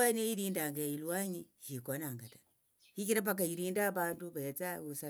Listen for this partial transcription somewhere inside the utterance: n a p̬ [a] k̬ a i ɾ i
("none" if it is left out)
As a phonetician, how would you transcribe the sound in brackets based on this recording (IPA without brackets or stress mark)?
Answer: a